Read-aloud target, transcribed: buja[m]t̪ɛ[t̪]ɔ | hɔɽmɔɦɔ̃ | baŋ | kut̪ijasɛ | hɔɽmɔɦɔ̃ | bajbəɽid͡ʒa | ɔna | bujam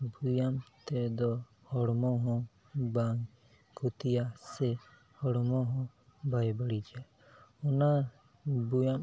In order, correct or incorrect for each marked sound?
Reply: correct, incorrect: d̪

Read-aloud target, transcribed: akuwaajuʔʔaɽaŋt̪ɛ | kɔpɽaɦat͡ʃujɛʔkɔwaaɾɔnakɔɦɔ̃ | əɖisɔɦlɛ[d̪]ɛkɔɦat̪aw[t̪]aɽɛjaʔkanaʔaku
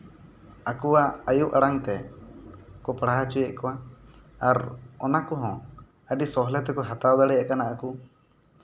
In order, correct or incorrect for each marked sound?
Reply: incorrect: t̪, incorrect: d̪

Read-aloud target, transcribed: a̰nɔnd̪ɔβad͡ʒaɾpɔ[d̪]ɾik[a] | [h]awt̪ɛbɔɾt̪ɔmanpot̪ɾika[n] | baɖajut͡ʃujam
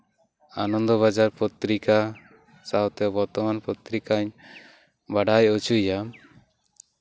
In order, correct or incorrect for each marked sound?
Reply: incorrect: t̪, correct, incorrect: s, incorrect: ɲ

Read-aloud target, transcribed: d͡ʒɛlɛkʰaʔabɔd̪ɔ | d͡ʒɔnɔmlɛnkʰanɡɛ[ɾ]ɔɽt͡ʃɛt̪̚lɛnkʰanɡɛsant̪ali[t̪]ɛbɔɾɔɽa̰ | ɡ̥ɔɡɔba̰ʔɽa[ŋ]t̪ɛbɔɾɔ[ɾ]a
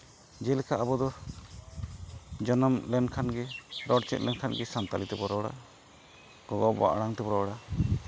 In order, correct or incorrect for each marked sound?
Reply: correct, correct, correct, incorrect: ɽ

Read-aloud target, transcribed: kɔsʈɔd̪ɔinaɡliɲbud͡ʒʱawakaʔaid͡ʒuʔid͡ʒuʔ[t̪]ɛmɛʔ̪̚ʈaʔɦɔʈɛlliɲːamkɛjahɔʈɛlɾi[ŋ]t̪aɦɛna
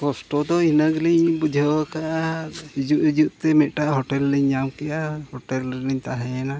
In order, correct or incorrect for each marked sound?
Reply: correct, incorrect: ɲ

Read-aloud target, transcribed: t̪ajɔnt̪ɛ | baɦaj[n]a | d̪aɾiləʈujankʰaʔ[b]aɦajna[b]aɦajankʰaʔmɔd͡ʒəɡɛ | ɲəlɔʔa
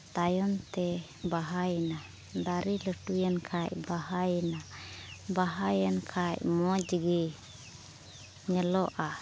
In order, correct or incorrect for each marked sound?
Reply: correct, correct, correct

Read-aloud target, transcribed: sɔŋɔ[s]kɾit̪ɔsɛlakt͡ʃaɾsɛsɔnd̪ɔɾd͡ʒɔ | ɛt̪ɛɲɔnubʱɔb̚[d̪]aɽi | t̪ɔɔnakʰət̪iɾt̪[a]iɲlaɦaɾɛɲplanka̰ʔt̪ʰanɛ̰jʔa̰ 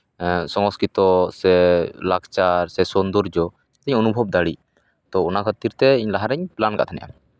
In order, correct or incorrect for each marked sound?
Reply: correct, correct, incorrect: ɛ

